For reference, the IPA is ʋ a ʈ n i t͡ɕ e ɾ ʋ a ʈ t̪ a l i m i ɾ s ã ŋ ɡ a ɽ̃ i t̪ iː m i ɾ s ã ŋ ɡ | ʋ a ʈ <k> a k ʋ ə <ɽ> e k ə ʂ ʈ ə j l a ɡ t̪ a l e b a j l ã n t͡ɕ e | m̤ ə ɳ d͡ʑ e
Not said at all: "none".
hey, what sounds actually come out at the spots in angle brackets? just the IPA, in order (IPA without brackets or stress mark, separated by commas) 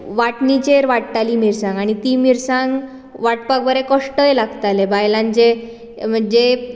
p, ɾ